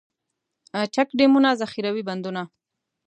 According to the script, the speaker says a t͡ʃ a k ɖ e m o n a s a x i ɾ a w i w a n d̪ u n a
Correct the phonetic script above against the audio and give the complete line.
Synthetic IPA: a t͡ʃ a k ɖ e m u n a z a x i ɾ a w i b a n d̪ u n a